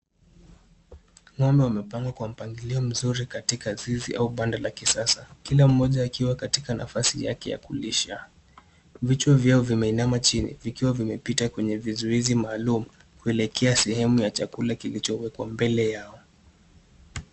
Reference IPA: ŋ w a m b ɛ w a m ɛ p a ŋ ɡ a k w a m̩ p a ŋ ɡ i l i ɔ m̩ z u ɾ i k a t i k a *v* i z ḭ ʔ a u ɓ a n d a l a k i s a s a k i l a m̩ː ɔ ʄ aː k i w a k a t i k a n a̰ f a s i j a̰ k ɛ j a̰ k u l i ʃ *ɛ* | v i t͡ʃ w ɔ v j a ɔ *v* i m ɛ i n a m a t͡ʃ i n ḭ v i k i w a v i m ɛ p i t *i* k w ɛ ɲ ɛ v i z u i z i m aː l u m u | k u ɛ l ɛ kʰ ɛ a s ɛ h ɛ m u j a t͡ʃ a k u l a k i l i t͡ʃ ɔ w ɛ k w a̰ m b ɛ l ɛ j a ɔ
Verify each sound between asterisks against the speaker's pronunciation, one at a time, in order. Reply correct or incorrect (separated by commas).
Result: incorrect, incorrect, correct, incorrect